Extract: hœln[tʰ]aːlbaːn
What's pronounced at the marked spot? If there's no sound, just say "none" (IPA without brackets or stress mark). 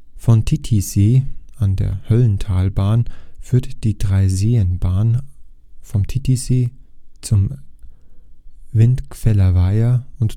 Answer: tʰ